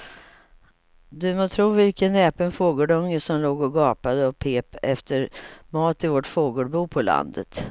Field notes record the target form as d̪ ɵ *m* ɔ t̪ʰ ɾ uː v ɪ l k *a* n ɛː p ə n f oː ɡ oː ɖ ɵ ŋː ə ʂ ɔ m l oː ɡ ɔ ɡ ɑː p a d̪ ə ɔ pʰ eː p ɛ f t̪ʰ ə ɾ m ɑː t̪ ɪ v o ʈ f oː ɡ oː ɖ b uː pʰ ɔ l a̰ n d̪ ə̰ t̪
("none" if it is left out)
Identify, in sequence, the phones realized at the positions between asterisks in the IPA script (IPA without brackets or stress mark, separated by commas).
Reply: m, ə